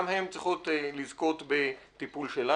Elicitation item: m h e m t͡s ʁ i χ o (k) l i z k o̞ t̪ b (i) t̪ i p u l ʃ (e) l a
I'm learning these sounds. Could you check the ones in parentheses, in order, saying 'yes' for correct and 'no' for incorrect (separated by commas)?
no, no, yes